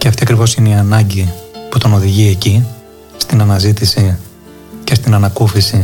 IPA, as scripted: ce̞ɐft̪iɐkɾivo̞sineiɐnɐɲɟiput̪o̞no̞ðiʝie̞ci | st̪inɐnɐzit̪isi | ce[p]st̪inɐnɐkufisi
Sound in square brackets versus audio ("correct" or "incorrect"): incorrect